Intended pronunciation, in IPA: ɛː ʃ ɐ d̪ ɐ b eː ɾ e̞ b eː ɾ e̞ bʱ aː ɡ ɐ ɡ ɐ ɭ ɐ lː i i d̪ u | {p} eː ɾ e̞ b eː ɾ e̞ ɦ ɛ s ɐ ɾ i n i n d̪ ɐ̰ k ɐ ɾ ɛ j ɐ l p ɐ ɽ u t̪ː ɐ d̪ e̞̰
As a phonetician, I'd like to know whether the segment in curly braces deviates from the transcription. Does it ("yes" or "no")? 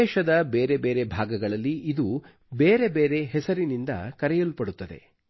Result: yes